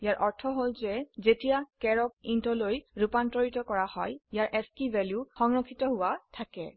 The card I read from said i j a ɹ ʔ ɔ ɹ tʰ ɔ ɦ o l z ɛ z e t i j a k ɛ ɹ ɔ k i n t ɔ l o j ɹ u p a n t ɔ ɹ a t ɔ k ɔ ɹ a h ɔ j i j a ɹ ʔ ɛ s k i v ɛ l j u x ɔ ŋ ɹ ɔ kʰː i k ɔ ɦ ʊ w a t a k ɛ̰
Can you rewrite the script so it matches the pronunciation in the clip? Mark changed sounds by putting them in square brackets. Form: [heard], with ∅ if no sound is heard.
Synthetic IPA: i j a ɹ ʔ ɔ ɹ tʰ ɔ ɦ o l z ɛ z e t i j a k ɛ ɹ ɔ k i n t ɔ l o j ɹ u p a n t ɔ ɹ [i] t ɔ k ɔ ɹ a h ɔ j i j a ɹ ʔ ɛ s k i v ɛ l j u x ɔ ŋ ɹ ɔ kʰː i [t] ɔ ɦ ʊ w a [tʰ] a k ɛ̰

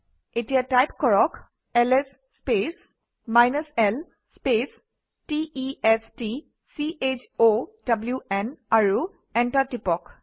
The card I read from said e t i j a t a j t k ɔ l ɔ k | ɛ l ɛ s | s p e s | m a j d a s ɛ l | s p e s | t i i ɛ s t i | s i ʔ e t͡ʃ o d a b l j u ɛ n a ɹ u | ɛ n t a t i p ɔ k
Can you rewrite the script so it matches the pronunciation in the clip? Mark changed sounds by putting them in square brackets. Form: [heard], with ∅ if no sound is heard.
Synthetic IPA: e t i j a t a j [p] k ɔ [ɹ] ɔ k | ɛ l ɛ s | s p e s | m a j [n] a s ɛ l | s p e s | t i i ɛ s t i | s i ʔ e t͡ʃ o d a b l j u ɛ n a ɹ u | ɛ n t a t i p ɔ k

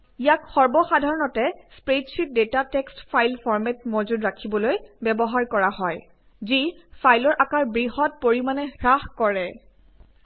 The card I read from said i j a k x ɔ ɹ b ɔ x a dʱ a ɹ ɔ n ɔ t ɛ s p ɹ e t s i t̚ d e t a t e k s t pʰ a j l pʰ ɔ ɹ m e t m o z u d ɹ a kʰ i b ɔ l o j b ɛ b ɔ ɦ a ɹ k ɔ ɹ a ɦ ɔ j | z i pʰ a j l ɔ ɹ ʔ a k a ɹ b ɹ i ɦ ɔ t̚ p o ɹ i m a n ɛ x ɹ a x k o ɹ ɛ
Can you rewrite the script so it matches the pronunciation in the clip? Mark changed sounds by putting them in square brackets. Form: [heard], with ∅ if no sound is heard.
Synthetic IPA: i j a k x ɔ ɹ b ɔ x a dʱ a ɹ ɔ n ɔ t ɛ s p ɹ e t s i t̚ d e t a t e k s t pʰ a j l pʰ ɔ ɹ m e t m o z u d ɹ a kʰ i b ɔ l o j b ɛ b ɔ ɦ a ɹ k ɔ ɹ a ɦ ɔ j | z i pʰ a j l ɔ ɹ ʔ a k a ɹ b ɹ i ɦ ɔ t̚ p o ɹ i m a n ɛ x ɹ a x k [ɔ] ɹ ɛ

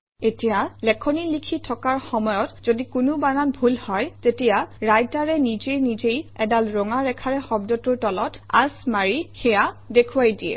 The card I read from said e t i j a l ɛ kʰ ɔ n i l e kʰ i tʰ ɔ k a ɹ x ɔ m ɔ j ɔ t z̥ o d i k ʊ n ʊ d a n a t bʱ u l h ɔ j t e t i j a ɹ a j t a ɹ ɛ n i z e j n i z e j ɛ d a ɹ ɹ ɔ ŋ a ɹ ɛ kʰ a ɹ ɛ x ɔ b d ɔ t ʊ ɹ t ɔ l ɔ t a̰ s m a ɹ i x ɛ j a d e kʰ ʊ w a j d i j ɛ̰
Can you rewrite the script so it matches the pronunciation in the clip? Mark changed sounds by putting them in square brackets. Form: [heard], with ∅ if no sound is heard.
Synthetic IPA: e t i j a l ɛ kʰ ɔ n i l [i] kʰ i tʰ ɔ k a ɹ x ɔ m ɔ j ɔ t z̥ o d i k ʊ n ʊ [b] a n a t bʱ u l h ɔ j t e t i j a ɹ a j t a ɹ ɛ n i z e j n i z e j ɛ d a [l] ɹ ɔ ŋ a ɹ ɛ kʰ a ɹ ɛ x ɔ b d ɔ t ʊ ɹ t ɔ l ɔ t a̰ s m a ɹ i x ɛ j a d e kʰ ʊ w a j d i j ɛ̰

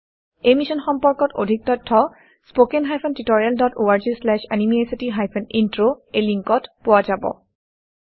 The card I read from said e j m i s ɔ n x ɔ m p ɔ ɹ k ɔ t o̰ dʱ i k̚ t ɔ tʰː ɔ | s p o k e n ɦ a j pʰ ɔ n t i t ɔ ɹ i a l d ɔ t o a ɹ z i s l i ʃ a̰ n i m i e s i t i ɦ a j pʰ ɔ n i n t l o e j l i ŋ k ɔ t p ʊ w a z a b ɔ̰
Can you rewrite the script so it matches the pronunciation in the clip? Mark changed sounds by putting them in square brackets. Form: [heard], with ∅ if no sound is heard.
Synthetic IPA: e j m i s ɔ n x ɔ m p ɔ ɹ k ɔ t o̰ dʱ i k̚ t ɔ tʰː ɔ | s p o k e n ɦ a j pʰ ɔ n t i t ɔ ɹ i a l d ɔ t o a ɹ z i s l [ɛ] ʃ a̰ n i m i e s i t i ɦ a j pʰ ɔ n i n t [ɹ] o e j l i ŋ k ɔ t p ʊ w a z a b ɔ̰

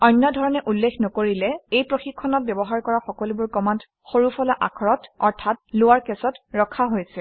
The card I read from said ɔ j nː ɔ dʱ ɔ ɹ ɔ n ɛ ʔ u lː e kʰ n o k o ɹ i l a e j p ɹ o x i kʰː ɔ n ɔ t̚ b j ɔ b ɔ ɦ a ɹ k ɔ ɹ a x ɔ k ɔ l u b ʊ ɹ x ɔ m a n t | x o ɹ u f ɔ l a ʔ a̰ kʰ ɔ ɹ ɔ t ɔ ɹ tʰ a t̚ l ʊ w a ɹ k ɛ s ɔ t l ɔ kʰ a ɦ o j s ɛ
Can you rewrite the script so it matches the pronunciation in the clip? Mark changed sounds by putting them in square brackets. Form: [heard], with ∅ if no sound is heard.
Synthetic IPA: ɔ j nː ɔ dʱ ɔ ɹ ɔ n ɛ ʔ u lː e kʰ n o k o ɹ i l [ɛ] e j p ɹ o x i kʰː ɔ n ɔ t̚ b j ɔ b ɔ ɦ a ɹ k ɔ ɹ a x ɔ k ɔ l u b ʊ ɹ [k] ɔ m a n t | x o ɹ u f ɔ l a ʔ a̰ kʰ ɔ ɹ ɔ t ɔ ɹ tʰ a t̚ l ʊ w a ɹ k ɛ s ɔ t [ɹ] ɔ kʰ a ɦ o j s ɛ

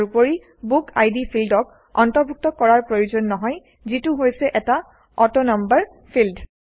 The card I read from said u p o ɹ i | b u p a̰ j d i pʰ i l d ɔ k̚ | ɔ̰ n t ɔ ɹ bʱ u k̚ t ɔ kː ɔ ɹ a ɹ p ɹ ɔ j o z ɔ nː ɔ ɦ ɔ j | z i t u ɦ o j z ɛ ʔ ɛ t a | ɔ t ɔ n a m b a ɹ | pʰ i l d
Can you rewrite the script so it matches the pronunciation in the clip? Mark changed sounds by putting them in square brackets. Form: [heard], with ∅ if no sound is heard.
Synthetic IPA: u p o ɹ i | b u [k] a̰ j d i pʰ i l d ɔ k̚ | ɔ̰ n t ɔ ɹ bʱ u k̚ t ɔ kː ɔ ɹ a ɹ p ɹ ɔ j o z ɔ nː ɔ ɦ ɔ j | z i t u ɦ o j [s] ɛ ʔ ɛ t a | ɔ t ɔ n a m b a ɹ | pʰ i l d

